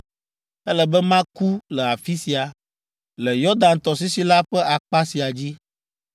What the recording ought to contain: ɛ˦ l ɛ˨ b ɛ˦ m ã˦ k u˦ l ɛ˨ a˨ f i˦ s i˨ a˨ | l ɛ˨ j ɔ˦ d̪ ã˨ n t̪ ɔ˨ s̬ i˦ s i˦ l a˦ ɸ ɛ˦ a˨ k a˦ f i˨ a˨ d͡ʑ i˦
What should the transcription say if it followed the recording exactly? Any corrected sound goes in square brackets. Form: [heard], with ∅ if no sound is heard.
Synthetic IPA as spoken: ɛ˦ l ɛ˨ b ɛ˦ m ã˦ k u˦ l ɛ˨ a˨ f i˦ s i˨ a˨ | l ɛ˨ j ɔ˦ d̪ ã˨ n t̪ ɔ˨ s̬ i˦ s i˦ l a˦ ɸ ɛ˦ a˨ [k͡p] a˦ [s] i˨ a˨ d͡ʑ i˦